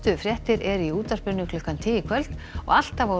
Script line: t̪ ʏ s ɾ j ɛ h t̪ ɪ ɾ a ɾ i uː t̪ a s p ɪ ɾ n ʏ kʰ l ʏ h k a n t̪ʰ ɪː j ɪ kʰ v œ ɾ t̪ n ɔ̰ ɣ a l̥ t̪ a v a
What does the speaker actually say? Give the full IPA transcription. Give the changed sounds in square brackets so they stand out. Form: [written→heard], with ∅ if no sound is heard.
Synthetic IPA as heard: t̪ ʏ [s→f] ɾ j ɛ h t̪ ɪ ɾ [a→ɛ] ɾ i uː t̪ a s p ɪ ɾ n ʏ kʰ l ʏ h k a n t̪ʰ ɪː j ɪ kʰ v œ [ɾ→l] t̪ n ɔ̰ ɣ a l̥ t̪ a v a